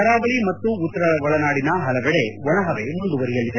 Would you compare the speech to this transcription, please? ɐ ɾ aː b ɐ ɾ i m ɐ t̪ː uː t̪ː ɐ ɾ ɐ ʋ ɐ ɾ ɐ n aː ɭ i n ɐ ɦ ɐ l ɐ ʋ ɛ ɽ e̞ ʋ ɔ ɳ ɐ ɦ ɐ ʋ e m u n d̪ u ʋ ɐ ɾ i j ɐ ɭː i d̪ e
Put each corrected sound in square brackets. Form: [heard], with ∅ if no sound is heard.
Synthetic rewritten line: ɐ ɾ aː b ɐ [ɭ] i m ɐ t̪ː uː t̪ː ɐ ɾ ɐ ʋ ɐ [ɭ] ɐ n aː [ɽ] i n ɐ ɦ ɐ l ɐ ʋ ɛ ɽ e̞ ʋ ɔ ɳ ɐ ɦ ɐ ʋ e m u n d̪ u ʋ ɐ ɾ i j ɐ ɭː i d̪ e